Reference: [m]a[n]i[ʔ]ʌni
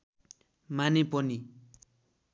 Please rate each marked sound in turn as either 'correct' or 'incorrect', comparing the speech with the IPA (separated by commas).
correct, correct, incorrect